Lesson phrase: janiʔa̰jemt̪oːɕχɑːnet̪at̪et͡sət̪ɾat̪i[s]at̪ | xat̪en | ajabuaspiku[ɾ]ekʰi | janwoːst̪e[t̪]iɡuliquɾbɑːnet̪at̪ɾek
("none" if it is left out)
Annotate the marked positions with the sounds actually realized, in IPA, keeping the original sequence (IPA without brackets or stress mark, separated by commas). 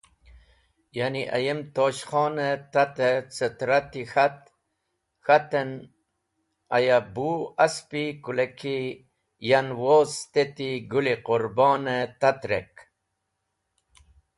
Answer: x, l, t̪